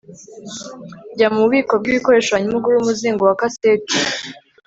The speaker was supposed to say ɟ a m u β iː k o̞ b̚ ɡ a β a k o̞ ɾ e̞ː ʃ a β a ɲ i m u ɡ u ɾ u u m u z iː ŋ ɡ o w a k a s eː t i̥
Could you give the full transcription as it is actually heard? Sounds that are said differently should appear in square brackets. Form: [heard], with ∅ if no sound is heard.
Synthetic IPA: ɟ a m u β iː k o̞ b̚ ɡ [i] β [i] k o̞ ɾ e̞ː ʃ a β a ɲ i m u ɡ u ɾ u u m u z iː ŋ ɡ o w a k a s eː t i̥

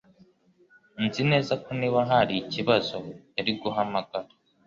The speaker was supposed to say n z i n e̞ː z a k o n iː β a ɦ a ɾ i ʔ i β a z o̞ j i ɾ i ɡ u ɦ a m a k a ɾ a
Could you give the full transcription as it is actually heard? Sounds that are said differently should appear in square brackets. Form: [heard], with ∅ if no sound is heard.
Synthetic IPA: n z i n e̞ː z a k o n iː β a ɦ a ɾ i [c] i β a z o̞ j [a] ɾ i ɡ u ɦ a m a [ɡ] a ɾ a

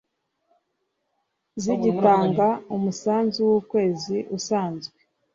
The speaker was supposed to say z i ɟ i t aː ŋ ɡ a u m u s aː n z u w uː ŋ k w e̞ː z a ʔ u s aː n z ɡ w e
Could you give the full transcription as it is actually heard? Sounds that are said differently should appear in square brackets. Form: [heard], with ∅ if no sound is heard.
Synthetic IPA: z i ɟ i t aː ŋ ɡ a u m u s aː n z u w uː [∅] k w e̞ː z [i] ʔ u s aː n z ɡ w e

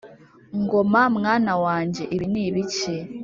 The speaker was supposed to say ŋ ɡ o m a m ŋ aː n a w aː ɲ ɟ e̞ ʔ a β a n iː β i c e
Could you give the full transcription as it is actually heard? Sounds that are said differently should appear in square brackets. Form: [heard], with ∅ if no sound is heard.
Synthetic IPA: ŋ ɡ o m a m ŋ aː n a w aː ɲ ɟ e̞ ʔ [i] β [i] n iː β i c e

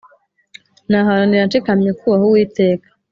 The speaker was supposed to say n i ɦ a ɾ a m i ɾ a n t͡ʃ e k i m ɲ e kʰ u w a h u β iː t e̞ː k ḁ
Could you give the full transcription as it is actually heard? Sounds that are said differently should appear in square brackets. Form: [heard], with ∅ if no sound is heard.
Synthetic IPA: n [a] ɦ a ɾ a [n] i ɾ a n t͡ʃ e k [a] m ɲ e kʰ u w a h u [w] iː t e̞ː k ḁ

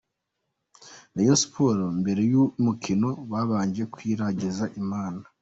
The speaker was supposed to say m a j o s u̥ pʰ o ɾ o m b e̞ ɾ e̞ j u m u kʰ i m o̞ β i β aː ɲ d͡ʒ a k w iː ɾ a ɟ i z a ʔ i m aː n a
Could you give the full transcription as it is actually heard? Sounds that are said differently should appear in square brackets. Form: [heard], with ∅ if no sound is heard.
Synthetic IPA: [n] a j o s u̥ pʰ o ɾ o m b e̞ ɾ e̞ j u m u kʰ i [n] o̞ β [a] β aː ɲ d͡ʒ [e] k w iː ɾ a ɟ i z a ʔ i m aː n a

